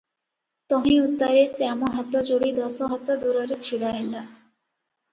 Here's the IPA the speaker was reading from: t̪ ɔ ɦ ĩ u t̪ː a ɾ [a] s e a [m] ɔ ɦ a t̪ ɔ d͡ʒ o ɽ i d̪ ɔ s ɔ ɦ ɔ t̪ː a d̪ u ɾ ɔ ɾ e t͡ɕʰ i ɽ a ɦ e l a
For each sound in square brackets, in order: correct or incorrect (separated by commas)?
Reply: incorrect, correct